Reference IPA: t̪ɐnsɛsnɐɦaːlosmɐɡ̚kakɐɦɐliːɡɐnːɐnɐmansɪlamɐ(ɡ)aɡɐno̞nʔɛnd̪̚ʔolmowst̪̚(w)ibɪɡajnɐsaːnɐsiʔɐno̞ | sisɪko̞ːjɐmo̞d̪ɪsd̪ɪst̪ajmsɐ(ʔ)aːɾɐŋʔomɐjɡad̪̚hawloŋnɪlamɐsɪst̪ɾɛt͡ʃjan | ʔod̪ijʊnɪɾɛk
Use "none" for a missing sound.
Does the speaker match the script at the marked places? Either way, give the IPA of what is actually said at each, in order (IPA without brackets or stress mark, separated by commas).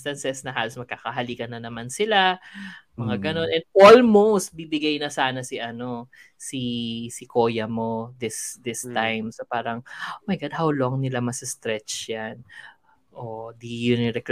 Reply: ŋ, b, p